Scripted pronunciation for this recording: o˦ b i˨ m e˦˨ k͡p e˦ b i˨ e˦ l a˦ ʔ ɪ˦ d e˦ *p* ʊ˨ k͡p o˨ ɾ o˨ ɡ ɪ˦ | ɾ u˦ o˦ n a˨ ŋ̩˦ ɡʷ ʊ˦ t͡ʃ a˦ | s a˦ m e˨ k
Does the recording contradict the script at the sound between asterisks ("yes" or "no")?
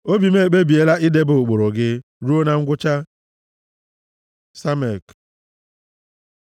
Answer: yes